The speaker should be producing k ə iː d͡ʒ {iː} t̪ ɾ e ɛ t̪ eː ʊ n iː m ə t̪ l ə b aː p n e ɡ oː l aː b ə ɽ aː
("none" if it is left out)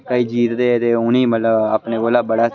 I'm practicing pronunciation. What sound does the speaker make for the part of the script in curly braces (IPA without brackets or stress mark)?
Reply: iː